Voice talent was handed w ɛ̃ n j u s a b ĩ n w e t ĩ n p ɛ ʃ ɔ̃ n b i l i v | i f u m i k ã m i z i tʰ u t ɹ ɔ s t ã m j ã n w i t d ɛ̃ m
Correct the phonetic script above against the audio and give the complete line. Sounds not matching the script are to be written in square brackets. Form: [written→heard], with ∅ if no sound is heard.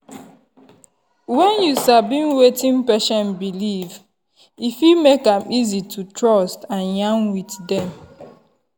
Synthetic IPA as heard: w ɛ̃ n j u s a b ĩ n w e t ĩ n p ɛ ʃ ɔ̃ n b i l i v | i f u m [i→e] k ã m i z i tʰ u t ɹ ɔ s t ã [m→n] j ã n w i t d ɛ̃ m